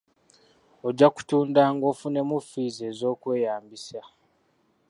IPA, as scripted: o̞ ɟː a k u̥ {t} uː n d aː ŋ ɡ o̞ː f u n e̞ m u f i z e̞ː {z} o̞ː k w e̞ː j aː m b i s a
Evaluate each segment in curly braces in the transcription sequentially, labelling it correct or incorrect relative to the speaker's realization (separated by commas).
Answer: correct, correct